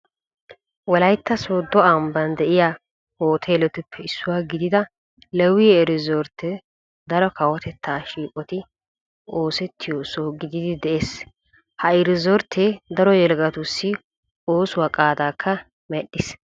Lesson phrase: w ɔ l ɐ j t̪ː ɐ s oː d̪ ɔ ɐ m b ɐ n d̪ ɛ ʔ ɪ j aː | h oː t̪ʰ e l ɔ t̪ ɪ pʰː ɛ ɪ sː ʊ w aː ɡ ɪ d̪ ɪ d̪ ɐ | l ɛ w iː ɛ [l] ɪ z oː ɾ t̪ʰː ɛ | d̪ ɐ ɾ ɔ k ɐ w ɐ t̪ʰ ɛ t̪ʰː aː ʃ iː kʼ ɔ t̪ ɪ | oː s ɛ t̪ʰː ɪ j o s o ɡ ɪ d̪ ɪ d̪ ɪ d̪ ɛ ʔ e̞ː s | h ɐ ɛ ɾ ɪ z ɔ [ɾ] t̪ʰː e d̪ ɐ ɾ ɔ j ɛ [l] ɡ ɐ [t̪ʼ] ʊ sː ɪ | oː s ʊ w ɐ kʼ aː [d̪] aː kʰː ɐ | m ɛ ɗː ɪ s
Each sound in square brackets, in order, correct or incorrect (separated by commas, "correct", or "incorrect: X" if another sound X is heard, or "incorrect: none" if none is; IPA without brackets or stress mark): incorrect: ɾ, correct, correct, incorrect: t̪, correct